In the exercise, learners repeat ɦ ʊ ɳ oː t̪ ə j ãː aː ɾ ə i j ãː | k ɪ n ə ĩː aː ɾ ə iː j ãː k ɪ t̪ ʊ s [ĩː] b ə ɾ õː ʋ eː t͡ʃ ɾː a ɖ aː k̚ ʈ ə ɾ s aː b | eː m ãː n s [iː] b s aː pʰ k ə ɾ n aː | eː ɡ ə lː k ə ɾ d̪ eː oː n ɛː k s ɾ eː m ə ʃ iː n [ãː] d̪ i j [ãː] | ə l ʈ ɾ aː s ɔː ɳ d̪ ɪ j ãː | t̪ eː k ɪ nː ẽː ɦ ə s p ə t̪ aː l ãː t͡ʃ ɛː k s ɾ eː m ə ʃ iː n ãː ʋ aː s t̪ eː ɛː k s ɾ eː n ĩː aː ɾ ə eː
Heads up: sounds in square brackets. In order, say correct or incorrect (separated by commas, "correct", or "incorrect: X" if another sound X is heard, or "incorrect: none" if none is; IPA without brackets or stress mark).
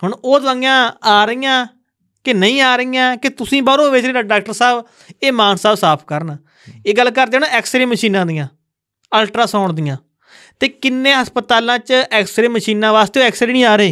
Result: correct, incorrect: aː, correct, correct